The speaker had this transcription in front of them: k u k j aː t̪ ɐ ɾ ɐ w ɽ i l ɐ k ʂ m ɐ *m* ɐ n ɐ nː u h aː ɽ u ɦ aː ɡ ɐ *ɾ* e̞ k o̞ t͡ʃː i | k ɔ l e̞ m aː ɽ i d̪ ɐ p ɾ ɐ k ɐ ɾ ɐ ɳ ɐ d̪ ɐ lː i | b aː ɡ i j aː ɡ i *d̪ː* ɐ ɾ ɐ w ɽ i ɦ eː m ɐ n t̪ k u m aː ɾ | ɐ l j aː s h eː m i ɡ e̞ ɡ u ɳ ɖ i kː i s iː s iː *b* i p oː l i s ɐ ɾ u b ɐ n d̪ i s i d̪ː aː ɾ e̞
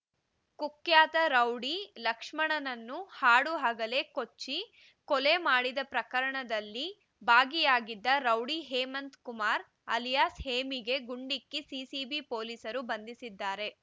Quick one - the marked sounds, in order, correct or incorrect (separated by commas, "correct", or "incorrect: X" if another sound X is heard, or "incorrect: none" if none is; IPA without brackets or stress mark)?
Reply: incorrect: ɳ, incorrect: l, correct, correct